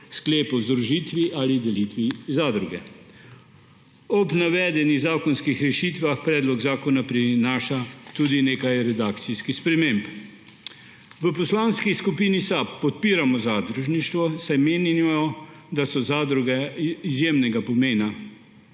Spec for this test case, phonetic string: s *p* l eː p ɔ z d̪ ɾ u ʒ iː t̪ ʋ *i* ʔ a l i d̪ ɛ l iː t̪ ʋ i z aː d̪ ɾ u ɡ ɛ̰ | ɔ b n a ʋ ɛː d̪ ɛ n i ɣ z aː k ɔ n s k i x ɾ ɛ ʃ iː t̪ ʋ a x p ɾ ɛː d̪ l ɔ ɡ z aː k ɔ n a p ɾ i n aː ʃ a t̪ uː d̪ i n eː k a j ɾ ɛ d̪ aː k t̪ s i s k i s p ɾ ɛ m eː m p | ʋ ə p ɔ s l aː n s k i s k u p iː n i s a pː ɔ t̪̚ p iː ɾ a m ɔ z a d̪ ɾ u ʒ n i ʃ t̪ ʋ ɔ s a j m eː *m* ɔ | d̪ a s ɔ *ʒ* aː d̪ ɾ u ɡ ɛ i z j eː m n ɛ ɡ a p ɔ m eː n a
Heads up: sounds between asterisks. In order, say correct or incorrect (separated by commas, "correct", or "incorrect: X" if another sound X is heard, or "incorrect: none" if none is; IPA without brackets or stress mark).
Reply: incorrect: k, correct, incorrect: n, incorrect: z